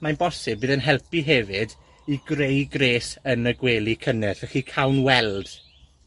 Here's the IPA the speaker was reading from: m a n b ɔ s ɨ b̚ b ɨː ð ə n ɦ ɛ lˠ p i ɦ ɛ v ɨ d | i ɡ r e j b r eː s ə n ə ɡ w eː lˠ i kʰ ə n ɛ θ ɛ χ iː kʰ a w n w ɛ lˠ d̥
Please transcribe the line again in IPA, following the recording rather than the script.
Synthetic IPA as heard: m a n b ɔ s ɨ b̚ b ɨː ð ə n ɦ ɛ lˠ p i ɦ ɛ v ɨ d | i ɡ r e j ɡ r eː s ə n ə ɡ w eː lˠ i kʰ ə n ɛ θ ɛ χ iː kʰ a w n w ɛ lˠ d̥